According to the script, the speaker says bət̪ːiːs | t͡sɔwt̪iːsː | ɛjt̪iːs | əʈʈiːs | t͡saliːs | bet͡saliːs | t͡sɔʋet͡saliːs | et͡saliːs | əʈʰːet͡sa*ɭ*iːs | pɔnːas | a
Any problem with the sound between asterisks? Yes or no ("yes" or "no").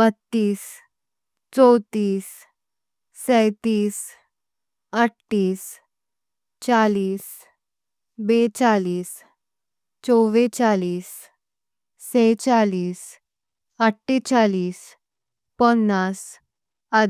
yes